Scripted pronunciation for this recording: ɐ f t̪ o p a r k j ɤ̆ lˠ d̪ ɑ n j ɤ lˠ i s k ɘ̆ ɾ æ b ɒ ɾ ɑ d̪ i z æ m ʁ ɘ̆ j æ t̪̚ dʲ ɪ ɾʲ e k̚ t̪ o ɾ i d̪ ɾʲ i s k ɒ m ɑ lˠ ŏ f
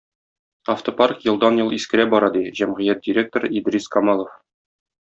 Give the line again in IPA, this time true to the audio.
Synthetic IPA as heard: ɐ f t̪ o p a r k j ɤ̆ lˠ d̪ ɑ n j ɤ lˠ i s k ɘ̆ ɾ æ b ɒ ɾ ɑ d̪ i ʑ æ m ʁ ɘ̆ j æ t̪̚ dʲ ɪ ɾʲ e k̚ t̪ o ɾ i d̪ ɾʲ i s k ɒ m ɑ lˠ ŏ f